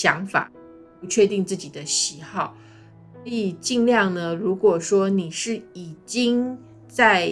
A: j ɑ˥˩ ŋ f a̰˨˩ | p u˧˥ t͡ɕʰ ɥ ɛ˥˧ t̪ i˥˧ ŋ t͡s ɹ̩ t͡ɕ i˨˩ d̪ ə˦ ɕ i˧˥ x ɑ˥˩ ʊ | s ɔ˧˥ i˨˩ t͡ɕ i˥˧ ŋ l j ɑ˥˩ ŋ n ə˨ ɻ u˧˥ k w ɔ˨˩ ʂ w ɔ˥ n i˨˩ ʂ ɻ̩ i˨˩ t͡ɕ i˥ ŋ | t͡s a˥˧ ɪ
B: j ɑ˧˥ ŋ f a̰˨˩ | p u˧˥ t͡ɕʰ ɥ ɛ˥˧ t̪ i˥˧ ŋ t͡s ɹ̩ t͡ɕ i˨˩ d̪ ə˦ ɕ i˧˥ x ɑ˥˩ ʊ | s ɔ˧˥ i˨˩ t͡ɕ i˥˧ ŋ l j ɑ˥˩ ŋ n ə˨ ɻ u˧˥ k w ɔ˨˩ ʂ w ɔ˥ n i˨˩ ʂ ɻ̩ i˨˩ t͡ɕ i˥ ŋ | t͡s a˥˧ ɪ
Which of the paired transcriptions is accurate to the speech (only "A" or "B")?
B